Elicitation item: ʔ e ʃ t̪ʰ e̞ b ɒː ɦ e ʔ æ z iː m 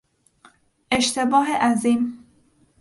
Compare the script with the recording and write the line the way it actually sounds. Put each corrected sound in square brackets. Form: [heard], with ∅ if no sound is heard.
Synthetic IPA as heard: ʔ e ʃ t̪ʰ e̞ b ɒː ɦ e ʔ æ z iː m